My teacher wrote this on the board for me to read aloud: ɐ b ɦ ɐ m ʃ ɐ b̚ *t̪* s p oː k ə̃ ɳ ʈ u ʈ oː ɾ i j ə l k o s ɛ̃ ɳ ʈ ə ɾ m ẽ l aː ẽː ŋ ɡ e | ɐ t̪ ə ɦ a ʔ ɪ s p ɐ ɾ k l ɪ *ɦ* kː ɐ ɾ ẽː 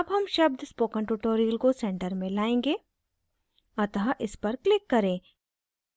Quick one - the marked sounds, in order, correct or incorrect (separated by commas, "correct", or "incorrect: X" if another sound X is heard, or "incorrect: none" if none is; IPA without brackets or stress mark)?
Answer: incorrect: d̪, incorrect: none